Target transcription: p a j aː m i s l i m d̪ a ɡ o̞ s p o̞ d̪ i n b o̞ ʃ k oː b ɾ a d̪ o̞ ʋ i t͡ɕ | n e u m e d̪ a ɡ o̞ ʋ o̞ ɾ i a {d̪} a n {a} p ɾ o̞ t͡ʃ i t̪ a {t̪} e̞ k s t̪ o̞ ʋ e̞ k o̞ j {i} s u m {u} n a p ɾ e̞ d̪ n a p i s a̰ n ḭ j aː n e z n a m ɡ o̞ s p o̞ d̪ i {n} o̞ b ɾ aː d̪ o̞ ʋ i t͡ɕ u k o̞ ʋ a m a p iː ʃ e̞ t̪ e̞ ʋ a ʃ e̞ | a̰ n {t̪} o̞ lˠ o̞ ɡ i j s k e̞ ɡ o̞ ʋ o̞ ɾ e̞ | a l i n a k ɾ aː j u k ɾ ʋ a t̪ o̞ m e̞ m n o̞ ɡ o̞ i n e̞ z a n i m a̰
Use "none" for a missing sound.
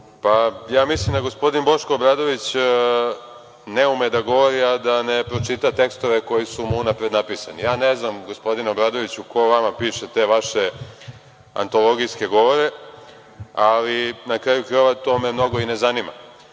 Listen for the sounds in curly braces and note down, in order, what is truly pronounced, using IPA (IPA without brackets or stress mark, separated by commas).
d̪, e, t̪, i, u, n, t̪